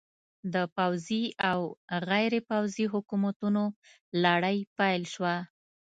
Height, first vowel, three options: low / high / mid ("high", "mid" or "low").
mid